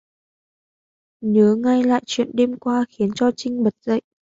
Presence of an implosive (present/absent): present